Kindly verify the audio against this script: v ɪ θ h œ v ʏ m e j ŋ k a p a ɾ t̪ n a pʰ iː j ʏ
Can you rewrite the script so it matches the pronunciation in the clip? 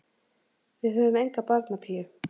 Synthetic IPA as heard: v ɪ ð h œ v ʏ m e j ŋ k a p a ɾ t̪ n a pʰ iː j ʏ

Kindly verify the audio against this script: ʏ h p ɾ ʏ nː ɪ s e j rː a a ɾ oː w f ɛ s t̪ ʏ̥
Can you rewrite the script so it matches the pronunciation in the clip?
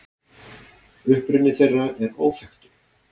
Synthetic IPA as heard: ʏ h p ɾ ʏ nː ɪ θ e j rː a ɛ ɾ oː w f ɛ x t̪ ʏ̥

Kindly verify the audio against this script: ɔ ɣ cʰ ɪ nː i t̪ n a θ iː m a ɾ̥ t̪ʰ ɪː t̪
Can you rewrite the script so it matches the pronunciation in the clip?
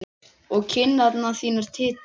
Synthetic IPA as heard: ɔ ɣ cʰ ɪ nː a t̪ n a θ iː n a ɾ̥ t̪ʰ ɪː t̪

